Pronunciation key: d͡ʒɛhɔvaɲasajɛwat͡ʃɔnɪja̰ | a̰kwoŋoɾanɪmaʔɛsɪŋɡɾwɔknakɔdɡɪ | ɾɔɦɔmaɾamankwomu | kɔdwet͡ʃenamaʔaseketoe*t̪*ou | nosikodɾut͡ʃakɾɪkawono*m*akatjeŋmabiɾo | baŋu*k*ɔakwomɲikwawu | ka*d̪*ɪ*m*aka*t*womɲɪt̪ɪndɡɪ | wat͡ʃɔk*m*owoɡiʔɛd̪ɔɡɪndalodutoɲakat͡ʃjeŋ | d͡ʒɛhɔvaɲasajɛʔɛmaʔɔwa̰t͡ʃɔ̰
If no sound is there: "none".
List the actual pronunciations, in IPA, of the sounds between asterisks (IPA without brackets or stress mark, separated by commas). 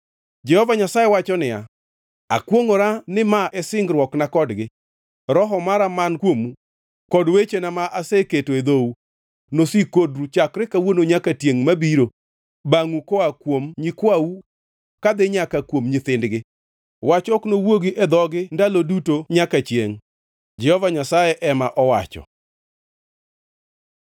d̪, ɲ, k, d̪, ɲ, k, n